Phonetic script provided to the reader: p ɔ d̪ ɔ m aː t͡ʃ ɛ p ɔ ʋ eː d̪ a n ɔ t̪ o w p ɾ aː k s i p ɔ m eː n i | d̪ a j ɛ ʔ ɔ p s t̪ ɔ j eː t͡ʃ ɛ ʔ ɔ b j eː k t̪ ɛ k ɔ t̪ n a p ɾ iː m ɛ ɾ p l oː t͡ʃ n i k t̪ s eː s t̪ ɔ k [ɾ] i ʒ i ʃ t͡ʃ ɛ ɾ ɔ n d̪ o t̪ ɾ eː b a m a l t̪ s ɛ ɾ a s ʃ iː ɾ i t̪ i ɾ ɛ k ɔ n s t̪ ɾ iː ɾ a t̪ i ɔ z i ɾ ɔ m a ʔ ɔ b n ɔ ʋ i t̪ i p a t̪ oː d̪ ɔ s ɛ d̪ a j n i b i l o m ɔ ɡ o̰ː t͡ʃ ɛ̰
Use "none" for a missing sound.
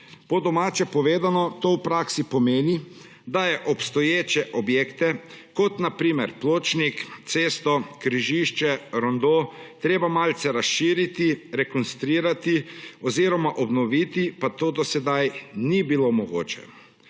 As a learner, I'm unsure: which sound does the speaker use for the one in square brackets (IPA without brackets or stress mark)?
ɾ